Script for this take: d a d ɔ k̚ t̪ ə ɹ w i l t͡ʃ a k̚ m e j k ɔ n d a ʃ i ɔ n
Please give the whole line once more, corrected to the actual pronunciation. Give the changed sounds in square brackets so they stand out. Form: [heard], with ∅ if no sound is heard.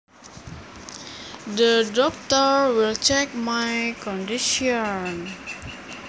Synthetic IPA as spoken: d [ə] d ɔ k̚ t̪ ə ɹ w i l t͡ʃ [ɛ] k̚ m [a] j k ɔ n d [i] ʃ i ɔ n